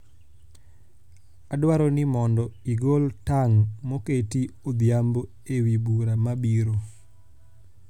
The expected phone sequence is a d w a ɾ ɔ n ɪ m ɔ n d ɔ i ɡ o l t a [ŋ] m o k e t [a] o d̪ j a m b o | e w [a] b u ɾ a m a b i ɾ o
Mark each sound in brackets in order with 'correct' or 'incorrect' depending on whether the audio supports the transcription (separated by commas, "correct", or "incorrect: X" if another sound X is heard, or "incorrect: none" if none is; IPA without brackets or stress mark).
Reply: correct, incorrect: i, incorrect: i